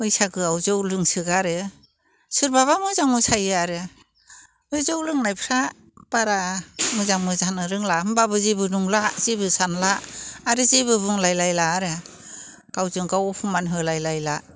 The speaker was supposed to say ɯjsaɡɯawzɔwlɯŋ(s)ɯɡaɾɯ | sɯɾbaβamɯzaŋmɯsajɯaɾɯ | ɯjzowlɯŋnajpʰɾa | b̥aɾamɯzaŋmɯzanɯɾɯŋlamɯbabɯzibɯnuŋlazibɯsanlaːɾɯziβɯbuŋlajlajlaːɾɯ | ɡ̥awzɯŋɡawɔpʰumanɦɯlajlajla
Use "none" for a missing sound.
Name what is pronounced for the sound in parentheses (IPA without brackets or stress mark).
s